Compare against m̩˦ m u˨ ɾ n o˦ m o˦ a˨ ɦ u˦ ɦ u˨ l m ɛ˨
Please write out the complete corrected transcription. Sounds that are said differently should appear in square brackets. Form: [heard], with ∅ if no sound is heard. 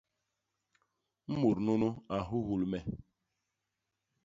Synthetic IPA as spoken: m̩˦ m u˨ ɾ n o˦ [n] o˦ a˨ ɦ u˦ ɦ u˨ l m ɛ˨